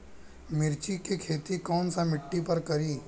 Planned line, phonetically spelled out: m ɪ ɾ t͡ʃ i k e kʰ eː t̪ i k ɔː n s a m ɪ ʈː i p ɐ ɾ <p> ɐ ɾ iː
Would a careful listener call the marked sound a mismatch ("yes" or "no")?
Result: yes